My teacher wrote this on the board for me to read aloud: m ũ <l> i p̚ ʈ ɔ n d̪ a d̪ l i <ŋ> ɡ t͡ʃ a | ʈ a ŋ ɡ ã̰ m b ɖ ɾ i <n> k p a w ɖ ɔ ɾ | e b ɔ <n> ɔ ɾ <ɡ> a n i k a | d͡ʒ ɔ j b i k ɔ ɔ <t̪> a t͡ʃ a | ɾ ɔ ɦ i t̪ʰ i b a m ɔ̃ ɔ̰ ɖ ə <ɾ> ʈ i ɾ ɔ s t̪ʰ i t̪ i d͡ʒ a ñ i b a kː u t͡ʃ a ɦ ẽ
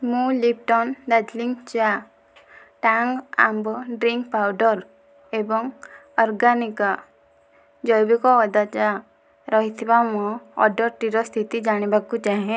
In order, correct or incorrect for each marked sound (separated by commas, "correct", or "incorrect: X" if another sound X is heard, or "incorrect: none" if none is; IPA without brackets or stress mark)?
correct, correct, incorrect: ŋ, incorrect: ŋ, correct, incorrect: d̪, correct